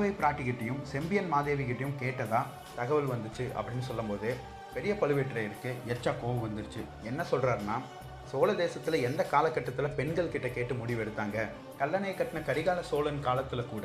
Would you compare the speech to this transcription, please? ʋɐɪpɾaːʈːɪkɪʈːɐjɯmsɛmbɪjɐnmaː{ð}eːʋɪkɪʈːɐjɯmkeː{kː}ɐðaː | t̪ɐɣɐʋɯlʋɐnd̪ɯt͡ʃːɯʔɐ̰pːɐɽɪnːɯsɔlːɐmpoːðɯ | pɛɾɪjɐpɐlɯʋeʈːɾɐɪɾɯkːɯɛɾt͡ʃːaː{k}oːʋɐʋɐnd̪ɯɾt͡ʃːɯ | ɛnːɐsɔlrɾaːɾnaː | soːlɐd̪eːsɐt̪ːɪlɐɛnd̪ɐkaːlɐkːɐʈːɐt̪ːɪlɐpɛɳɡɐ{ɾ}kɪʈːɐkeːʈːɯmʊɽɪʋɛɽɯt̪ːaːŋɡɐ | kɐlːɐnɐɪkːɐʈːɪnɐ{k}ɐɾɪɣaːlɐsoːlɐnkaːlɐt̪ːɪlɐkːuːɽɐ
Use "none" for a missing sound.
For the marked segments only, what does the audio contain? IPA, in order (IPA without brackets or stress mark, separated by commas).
ð, ʈː, k, ɭ, k